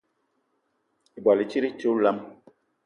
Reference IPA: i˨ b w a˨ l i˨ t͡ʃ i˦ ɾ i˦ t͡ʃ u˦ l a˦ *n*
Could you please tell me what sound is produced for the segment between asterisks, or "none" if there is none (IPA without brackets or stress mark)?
m